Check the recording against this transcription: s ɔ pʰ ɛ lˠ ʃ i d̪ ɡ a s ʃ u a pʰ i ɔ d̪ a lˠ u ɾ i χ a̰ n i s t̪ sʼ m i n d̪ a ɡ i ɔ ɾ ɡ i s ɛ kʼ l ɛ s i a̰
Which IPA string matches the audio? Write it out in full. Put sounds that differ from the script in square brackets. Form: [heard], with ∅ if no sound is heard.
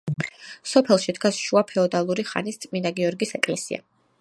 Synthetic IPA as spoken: s ɔ pʰ ɛ lˠ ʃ i d̪ ɡ a s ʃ u a pʰ [ɛ] ɔ d̪ a lˠ u ɾ i χ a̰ n i s t̪ sʼ m i n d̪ a ɡ i ɔ ɾ ɡ i s ɛ kʼ l ɛ s i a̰